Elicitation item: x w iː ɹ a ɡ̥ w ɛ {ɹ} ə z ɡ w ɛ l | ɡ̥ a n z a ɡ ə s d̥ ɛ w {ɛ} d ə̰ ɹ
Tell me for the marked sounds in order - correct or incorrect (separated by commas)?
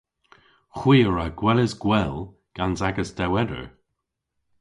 incorrect, correct